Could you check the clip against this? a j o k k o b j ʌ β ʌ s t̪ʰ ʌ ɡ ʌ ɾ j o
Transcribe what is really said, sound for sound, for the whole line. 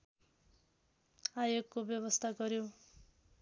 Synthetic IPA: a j o ɡ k o b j ʌ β ʌ s t̪ʰ a ɡ ʌ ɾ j o